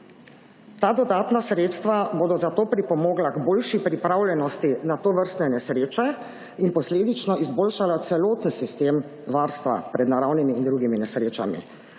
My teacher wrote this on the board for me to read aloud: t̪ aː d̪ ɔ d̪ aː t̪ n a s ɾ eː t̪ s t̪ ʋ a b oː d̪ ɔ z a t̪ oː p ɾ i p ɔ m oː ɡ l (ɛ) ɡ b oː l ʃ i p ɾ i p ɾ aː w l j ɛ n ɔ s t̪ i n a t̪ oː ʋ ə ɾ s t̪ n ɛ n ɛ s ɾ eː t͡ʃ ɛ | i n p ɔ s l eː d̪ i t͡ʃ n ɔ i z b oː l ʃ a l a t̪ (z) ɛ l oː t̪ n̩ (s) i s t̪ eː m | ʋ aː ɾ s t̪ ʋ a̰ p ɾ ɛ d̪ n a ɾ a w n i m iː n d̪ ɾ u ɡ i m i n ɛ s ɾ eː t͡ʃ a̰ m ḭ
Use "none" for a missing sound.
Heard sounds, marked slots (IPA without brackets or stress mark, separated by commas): a, s, s